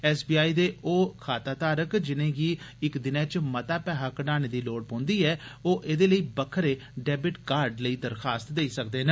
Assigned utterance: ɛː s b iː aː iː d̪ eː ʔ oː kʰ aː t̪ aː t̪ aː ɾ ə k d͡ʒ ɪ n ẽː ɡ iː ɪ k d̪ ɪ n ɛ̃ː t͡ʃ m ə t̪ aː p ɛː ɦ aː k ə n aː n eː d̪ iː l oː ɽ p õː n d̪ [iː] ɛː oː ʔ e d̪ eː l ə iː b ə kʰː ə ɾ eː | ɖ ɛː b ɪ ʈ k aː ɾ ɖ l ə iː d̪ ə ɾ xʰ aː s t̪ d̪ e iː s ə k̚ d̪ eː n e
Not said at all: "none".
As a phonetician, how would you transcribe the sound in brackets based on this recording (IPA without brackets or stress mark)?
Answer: iː